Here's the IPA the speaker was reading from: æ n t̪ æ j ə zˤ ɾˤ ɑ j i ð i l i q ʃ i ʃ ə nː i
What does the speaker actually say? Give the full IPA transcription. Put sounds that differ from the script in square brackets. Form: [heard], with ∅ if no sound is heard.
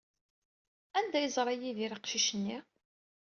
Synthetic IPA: æ n [d̪] æ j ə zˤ ɾˤ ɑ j i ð i [ɾ] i q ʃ i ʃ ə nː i